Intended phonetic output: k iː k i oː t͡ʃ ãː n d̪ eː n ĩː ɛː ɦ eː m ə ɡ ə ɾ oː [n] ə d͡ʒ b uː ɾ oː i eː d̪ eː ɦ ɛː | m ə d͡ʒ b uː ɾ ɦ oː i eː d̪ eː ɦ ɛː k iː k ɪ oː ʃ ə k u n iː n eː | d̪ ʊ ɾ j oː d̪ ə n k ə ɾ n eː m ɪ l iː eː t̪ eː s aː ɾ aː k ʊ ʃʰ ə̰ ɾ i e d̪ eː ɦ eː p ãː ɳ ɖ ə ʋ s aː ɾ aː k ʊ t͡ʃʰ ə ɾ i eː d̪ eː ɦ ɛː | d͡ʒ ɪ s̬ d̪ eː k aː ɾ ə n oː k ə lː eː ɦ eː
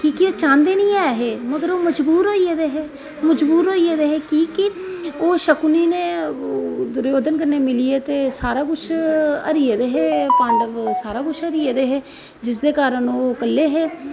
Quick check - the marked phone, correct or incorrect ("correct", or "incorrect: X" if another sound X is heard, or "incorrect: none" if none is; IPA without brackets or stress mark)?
incorrect: m